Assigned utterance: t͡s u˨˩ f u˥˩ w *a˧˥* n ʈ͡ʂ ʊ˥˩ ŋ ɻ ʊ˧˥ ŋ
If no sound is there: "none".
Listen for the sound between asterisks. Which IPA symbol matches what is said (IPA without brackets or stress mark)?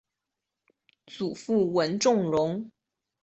ə˧˥